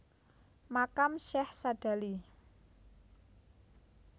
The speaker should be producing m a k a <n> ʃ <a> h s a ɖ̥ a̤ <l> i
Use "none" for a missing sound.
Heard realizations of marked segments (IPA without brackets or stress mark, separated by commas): m, ɛ, l